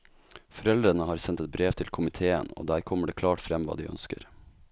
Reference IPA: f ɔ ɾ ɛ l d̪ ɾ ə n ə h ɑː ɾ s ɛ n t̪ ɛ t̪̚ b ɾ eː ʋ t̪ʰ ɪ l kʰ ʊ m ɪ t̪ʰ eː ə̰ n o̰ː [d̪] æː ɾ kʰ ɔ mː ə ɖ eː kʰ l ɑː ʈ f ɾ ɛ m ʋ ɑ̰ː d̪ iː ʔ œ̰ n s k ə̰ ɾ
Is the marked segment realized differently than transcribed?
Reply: no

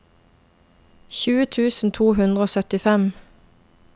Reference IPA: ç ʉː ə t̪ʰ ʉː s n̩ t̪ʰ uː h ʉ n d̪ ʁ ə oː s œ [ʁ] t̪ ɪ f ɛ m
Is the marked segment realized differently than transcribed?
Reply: yes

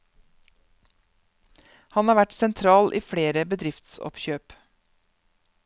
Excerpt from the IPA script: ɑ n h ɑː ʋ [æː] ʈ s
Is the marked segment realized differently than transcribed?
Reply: yes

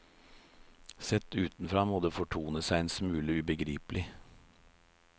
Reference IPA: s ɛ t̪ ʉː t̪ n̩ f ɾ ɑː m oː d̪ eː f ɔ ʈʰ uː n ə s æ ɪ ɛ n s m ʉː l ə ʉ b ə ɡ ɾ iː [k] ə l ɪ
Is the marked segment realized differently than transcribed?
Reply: yes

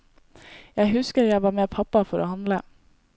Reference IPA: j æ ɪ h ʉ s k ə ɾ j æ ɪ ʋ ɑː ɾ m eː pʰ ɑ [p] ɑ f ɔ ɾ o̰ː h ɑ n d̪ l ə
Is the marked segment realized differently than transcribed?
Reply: no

